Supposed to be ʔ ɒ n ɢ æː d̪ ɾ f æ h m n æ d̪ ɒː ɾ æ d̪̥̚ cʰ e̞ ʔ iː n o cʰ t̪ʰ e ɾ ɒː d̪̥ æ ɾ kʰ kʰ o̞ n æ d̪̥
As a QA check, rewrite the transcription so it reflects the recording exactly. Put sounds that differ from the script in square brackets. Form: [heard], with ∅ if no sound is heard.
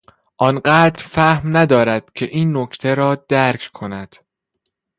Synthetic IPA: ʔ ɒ n ɢ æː d̪ ɾ f æ h m n æ d̪ ɒː ɾ æ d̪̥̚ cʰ e̞ ʔ iː [nː] o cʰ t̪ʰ e ɾ ɒː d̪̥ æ ɾ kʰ kʰ o̞ n æ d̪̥